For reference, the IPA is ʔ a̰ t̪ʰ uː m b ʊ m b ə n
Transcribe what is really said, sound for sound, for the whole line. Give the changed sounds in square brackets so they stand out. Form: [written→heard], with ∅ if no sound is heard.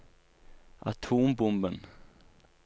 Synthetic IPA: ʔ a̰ t̪ʰ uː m b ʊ m b ə n